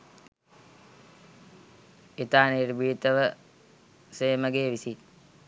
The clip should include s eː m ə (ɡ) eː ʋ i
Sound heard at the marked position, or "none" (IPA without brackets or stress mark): ɡ